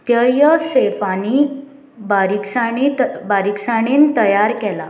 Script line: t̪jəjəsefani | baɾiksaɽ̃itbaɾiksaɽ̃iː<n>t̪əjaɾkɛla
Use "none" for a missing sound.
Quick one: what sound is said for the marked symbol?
n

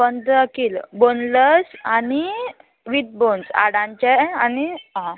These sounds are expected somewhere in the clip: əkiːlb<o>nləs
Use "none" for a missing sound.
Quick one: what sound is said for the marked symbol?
o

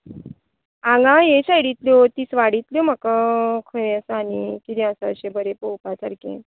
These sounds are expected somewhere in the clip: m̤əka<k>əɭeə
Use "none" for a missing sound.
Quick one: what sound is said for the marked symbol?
kʰ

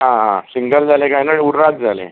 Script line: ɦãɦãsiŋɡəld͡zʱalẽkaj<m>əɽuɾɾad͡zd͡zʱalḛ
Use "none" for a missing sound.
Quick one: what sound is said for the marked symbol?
n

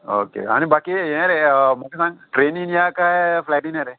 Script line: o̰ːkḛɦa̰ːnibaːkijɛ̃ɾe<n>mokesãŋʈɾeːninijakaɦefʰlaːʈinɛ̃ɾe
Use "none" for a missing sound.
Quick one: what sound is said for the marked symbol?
none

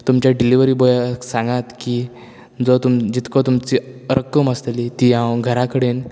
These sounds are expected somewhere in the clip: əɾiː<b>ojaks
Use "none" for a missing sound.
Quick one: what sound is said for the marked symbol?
b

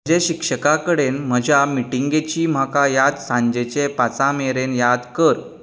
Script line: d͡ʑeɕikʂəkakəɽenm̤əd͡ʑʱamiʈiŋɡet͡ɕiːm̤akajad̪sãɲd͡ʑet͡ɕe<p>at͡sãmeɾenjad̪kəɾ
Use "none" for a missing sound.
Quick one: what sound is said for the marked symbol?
p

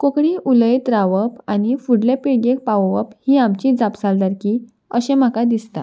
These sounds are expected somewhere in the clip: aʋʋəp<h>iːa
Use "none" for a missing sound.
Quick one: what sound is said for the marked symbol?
h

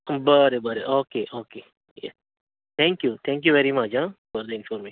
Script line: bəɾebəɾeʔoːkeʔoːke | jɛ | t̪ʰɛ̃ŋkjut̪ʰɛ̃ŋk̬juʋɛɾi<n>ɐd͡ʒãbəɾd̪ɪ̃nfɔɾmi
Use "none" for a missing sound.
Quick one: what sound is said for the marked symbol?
m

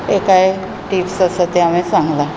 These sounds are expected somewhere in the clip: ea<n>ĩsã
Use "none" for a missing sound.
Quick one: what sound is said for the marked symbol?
m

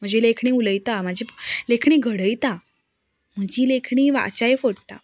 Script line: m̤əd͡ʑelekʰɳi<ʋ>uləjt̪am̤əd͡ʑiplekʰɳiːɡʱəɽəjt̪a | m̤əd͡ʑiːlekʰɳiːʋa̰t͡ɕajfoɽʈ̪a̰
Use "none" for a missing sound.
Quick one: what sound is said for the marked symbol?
none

